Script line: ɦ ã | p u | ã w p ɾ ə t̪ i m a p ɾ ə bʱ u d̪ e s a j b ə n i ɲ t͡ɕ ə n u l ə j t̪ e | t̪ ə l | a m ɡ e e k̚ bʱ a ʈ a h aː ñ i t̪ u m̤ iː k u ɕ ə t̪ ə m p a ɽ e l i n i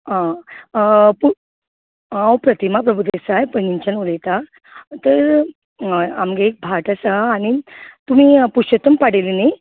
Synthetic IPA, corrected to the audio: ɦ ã | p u | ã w p ɾ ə t̪ i m a p ɾ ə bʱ u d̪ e s a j p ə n i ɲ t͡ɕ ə n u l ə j t̪ a | t̪ ə ɾ | a m ɡ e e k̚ bʱ a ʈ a s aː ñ i t̪ u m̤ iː p u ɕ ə t̪ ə m p a ɽ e l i n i